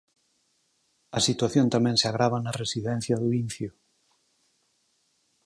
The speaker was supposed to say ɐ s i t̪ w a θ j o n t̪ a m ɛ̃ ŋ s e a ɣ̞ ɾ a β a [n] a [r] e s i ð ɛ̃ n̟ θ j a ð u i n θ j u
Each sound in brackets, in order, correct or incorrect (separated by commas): correct, correct